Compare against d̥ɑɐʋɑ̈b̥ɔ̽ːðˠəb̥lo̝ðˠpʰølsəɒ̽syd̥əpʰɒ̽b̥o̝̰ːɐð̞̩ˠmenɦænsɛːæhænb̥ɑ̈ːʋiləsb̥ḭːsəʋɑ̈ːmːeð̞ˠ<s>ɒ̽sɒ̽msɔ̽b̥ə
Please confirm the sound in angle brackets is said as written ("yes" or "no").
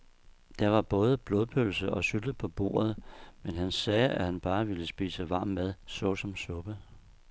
yes